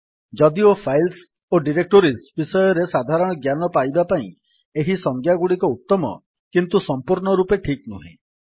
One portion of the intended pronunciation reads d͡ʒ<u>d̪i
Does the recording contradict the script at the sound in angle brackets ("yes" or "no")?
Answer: yes